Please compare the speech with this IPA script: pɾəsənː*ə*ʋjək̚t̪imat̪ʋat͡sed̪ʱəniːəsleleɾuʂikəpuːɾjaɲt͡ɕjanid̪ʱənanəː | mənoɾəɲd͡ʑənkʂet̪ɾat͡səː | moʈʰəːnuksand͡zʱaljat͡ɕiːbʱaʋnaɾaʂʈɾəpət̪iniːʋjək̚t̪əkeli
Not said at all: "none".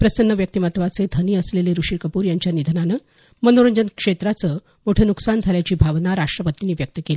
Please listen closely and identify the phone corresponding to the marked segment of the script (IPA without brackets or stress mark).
ə